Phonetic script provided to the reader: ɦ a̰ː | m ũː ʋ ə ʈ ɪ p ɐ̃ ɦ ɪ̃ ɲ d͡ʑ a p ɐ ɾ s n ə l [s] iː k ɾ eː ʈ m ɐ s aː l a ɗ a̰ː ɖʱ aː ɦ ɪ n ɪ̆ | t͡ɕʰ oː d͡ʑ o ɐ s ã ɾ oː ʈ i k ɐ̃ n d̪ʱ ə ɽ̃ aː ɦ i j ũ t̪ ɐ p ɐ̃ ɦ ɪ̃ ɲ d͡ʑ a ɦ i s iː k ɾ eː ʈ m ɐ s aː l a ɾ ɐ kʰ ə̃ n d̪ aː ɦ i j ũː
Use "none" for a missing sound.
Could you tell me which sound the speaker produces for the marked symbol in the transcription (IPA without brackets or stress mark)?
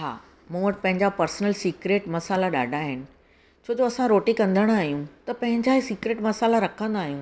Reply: s